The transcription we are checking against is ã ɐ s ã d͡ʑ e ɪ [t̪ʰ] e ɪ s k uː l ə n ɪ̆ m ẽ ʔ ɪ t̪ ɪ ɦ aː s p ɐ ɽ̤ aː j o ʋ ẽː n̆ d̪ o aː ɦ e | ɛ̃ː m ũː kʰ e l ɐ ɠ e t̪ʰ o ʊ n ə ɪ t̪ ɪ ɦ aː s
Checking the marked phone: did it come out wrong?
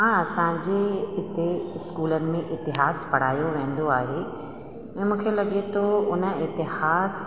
yes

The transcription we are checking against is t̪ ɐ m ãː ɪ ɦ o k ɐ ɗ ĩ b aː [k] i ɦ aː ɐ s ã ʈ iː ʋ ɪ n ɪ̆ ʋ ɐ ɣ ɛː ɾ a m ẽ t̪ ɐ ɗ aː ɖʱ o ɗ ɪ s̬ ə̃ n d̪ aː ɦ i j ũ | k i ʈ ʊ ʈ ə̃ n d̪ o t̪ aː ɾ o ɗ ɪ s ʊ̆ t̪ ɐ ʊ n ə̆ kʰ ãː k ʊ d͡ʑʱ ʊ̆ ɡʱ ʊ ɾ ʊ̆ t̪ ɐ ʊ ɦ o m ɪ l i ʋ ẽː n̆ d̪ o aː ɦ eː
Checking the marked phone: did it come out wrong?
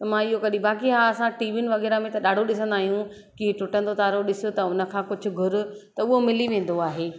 no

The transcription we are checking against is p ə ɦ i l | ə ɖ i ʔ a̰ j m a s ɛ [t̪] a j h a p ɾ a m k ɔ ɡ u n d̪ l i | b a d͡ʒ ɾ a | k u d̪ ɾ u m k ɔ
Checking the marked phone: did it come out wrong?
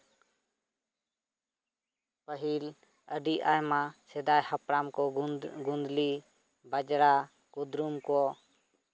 yes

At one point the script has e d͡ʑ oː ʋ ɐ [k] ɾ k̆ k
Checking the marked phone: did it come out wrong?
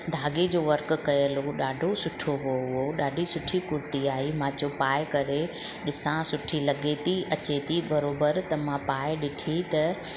yes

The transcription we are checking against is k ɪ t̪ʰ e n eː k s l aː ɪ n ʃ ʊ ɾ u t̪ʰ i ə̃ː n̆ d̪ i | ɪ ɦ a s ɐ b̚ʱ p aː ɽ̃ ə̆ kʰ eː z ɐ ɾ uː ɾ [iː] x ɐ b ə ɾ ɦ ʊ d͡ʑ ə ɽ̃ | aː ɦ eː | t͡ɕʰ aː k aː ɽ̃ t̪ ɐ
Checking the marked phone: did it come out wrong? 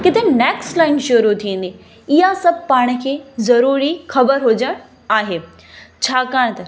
yes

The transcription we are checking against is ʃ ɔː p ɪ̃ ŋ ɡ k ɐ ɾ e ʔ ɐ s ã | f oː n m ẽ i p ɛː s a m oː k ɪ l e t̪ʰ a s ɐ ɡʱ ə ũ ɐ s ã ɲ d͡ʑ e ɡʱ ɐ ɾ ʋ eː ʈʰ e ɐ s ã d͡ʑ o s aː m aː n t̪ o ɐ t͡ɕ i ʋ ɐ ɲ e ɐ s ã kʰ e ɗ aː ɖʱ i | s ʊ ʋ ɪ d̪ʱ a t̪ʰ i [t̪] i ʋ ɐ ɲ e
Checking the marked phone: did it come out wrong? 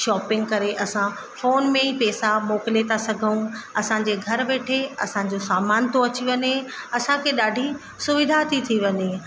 yes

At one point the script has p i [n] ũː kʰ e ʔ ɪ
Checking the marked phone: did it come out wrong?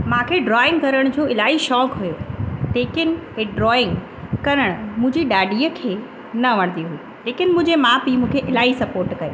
yes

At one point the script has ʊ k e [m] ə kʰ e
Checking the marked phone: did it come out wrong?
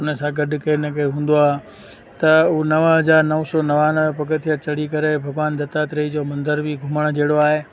yes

